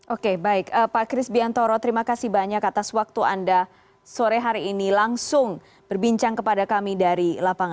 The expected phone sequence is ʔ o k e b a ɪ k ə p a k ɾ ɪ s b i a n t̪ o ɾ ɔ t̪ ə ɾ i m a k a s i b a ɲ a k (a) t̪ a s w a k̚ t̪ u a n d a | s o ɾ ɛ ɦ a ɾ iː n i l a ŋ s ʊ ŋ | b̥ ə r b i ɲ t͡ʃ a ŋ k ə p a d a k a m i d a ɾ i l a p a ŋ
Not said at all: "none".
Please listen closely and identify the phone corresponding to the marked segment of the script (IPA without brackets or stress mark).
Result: a